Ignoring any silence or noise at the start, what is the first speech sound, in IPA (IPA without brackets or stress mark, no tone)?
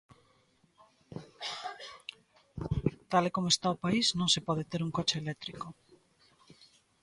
t̪